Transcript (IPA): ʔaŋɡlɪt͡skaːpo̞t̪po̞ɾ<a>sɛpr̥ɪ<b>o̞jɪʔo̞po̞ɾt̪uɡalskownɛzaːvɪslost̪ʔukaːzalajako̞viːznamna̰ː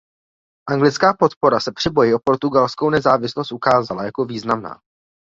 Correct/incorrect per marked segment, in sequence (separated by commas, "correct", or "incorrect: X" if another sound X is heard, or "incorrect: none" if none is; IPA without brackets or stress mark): correct, correct